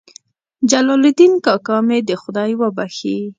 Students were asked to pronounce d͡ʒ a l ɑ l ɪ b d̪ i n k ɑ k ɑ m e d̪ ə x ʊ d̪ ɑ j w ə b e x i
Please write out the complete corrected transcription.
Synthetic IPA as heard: d͡ʒ a l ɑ l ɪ d̪ i n k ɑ k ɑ m e d̪ ə x ʊ d̪ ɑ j w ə b a x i